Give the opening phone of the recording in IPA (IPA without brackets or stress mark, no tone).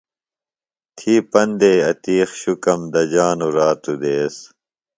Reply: t̪ʰ